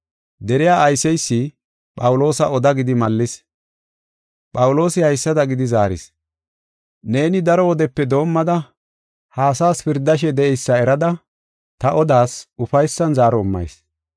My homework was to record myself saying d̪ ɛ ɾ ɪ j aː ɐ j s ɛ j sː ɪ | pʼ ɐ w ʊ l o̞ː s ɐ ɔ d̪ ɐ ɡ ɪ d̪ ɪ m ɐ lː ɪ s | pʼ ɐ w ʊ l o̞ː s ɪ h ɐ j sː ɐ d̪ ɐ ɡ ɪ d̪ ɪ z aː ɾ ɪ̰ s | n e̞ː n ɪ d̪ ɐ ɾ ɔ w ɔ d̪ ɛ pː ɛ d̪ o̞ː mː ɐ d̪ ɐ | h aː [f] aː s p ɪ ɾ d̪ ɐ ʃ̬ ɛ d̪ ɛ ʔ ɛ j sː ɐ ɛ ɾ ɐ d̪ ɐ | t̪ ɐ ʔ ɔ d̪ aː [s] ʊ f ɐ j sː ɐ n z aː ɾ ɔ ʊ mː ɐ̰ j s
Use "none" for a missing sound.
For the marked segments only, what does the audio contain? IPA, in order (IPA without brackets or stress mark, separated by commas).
s, s